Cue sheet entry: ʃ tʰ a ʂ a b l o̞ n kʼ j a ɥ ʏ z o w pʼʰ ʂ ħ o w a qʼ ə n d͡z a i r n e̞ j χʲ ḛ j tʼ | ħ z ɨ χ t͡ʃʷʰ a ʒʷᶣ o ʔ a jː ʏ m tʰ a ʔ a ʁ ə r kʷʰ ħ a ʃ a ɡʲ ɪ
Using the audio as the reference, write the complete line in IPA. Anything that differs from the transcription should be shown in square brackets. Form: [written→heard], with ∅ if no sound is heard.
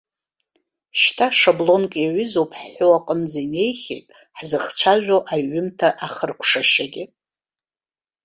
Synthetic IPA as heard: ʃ tʰ a ʂ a b l o̞ n kʼ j a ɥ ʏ z o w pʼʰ [ʂ→ħ] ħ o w a qʼ ə n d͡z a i [r→∅] n e̞ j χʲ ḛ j tʼ | ħ z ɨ χ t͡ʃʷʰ a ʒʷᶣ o ʔ a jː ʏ m tʰ a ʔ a [ʁ→χ] ə r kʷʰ [ħ→ʂ] a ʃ a ɡʲ ɪ